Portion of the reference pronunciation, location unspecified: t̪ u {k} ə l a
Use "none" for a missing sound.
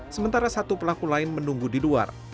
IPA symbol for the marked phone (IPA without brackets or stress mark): p